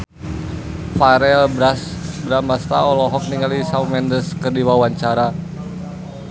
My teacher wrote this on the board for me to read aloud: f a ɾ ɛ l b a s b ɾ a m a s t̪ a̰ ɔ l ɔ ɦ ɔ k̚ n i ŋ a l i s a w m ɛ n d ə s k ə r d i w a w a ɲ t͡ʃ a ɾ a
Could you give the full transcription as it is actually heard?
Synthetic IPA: f a ɾ ɛ l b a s b ɾ a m a s t̪ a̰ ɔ l ɔ ɦ ɔ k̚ n i ŋ a l i s a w m ɛ n d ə s k ə r d i w a w a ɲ t͡ʃ a ɾ a